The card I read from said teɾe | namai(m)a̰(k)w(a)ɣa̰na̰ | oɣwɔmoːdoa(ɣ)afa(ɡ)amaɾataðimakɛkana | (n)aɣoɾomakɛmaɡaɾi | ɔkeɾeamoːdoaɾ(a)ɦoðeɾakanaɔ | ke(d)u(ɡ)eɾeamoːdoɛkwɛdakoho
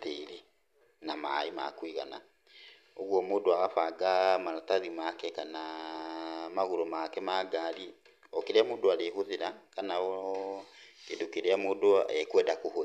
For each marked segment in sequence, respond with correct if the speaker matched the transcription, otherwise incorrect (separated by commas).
correct, correct, incorrect, correct, correct, incorrect, incorrect, correct, incorrect